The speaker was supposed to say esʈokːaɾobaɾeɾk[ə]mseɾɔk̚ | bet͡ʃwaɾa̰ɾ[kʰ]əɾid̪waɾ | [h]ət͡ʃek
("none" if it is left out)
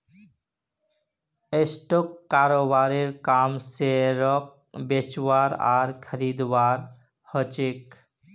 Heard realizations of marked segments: a, kʰ, h

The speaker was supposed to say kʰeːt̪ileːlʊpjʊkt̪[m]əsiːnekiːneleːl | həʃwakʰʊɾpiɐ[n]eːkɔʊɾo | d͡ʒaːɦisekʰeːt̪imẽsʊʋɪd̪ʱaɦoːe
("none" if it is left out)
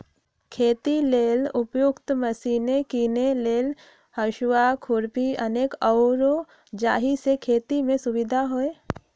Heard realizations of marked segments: m, n

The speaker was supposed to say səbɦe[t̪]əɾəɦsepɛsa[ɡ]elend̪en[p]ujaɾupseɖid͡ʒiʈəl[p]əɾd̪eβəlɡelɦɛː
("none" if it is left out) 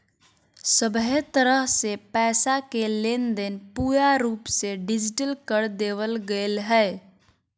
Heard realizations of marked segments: t̪, k, p, k

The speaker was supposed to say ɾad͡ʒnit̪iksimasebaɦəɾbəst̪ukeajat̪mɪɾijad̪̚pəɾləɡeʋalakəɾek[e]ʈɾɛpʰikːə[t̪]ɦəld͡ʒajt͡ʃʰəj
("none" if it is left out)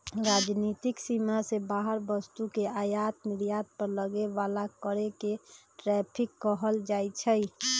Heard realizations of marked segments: e, none

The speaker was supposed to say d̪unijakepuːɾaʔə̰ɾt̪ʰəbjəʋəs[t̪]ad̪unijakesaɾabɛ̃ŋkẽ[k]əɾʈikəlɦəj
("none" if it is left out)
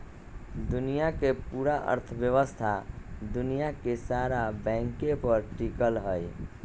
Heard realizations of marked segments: t̪ʰ, p

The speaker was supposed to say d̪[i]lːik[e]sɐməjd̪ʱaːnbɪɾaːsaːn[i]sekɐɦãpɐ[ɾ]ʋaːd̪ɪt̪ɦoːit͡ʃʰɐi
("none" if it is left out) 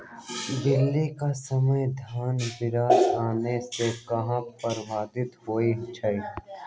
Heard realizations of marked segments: ɪ, a, e, ɾ

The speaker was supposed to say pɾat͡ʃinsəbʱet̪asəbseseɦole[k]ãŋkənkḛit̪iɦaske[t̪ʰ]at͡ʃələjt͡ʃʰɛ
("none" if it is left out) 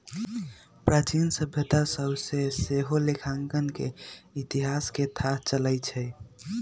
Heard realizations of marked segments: kʰ, t̪ʰ

